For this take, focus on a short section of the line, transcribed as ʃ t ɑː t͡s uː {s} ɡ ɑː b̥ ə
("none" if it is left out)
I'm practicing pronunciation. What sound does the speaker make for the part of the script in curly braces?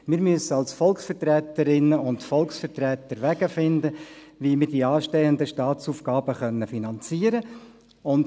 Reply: f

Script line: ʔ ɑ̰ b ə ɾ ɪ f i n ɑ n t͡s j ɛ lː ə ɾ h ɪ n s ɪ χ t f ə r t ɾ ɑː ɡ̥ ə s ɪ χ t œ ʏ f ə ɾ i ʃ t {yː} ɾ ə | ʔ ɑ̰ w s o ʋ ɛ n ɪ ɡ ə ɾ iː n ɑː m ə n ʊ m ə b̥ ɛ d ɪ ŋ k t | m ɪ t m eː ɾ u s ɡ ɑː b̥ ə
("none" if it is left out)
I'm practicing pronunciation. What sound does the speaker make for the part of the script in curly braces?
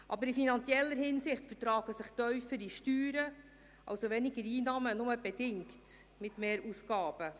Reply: yː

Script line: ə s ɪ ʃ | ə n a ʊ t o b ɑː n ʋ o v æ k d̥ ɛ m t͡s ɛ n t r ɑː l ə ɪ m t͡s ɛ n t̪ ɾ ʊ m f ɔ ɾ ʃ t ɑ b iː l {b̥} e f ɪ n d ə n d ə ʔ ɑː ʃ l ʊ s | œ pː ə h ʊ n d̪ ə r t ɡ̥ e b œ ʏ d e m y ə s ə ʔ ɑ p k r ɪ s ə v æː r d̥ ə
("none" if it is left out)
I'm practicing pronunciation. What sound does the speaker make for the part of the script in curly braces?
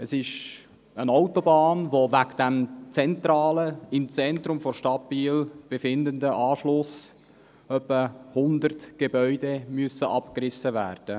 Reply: b̥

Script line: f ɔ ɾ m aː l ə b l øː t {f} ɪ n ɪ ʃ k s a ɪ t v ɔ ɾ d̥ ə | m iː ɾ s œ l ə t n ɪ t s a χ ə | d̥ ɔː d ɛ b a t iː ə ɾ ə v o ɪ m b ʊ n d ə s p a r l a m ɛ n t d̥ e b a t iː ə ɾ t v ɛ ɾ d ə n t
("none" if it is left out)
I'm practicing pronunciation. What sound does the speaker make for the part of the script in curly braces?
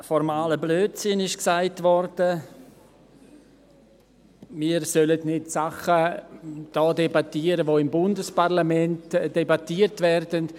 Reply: s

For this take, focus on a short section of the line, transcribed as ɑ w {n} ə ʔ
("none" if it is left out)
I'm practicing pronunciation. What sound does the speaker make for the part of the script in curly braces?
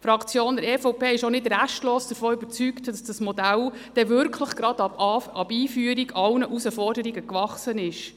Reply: n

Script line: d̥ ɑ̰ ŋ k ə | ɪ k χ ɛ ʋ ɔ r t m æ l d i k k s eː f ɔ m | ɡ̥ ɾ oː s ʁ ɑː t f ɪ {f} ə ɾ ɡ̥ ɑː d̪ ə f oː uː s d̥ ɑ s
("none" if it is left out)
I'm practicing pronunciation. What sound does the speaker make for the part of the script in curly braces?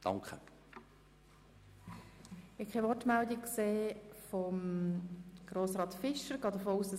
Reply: ʃ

